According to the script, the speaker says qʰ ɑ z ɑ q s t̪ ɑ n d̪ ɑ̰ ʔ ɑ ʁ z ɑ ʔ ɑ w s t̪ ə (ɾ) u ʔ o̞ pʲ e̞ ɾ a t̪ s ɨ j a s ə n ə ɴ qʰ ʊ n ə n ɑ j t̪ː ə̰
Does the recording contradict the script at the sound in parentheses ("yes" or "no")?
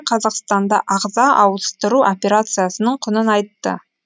no